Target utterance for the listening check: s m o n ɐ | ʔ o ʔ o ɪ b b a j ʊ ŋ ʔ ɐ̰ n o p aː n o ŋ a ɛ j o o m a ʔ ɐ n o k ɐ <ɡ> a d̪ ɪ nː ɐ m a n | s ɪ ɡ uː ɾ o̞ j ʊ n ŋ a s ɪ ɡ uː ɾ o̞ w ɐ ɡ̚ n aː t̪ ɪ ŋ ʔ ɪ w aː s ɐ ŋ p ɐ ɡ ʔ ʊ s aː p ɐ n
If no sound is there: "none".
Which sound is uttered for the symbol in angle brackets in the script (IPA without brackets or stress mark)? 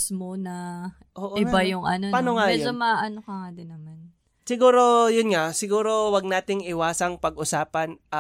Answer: ŋ